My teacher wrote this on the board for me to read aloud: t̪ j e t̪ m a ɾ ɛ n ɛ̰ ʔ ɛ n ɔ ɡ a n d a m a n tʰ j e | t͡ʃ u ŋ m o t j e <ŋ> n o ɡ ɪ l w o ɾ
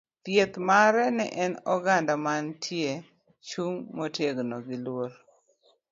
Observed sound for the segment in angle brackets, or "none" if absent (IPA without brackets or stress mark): ɡ